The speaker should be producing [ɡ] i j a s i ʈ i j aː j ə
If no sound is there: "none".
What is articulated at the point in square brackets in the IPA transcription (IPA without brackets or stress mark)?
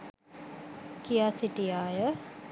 k